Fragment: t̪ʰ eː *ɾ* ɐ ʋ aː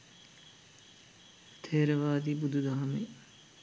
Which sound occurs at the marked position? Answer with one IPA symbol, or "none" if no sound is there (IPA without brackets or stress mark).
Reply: ɾ